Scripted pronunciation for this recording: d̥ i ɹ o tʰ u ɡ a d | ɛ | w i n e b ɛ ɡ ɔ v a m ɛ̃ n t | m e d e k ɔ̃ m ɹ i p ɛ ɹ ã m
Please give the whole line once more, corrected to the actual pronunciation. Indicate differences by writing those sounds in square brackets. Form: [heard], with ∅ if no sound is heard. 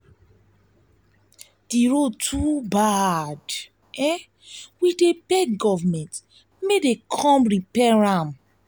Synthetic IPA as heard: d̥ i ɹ o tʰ u [b] a d | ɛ | w i [d] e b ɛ ɡ ɔ v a m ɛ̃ n t | m e d e [kʰ] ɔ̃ m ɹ i p ɛ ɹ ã m